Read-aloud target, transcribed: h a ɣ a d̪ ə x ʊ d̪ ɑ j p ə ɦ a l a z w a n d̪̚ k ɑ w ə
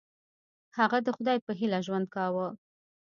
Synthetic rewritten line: h a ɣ a d̪ ə x ʊ d̪ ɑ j p ə ɦ i l a ʒ w a n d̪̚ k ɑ w ə